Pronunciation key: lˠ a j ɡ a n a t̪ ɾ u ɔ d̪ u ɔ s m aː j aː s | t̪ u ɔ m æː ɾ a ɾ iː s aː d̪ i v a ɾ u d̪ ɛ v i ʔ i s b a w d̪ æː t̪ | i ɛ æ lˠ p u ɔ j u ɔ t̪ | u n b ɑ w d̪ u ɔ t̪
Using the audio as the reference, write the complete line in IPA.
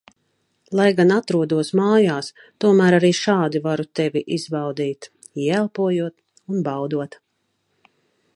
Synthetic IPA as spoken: lˠ a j ɡ a n a t̪ ɾ u ɔ d̪ u ɔ s m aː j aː s | t̪ u ɔ m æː ɾ a ɾ iː ʃ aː d̪ i v a ɾ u t̪ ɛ v i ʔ i z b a w d̪ iː t̪ | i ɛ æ lˠ p u ɔ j u ɔ t̪ | u n b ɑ w d̪ u ɔ t̪